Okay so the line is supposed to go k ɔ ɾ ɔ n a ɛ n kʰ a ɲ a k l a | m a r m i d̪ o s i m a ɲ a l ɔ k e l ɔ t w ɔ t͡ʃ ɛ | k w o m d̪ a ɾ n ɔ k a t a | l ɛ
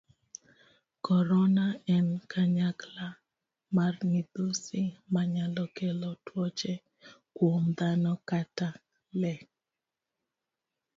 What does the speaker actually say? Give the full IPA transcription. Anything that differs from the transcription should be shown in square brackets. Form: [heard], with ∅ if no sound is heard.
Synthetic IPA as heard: k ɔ ɾ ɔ n a ɛ n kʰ a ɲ a k l a | m a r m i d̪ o s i m a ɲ a l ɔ k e l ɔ t w ɔ t͡ʃ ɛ | k w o m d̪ a [∅] n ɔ k a t a | l ɛ